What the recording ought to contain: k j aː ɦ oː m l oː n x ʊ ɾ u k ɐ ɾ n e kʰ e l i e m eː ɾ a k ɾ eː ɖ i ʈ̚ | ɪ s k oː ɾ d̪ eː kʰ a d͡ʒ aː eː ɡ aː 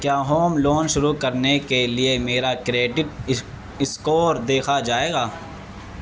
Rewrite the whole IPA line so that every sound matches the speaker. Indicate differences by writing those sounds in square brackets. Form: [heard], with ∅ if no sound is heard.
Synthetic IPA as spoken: k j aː ɦ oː m l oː n [ʃ] ʊ ɾ u k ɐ ɾ n e [k] e l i e m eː ɾ a k ɾ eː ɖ [ɪ] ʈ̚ | ɪ s k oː ɾ d̪ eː kʰ a d͡ʒ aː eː ɡ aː